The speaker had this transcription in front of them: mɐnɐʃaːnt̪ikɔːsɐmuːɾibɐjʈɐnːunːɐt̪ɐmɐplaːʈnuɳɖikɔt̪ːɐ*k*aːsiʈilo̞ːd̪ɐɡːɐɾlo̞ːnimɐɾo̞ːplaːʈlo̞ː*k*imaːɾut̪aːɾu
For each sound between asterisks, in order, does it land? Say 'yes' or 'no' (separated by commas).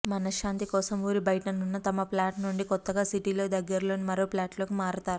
no, yes